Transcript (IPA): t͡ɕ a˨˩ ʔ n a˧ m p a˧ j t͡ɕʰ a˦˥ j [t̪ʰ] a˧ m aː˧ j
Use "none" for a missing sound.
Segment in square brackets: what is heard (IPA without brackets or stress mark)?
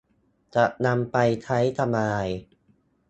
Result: t̪ʰ